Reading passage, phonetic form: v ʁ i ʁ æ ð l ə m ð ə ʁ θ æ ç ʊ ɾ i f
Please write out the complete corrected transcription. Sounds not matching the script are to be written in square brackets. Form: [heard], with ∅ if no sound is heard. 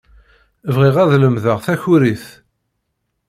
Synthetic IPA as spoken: v ʁ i ʁ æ ð l ə m ð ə ʁ θ æ ç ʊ ɾ i [θ]